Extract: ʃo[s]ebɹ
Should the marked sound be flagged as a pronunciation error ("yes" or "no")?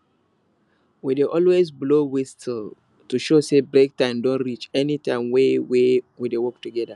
no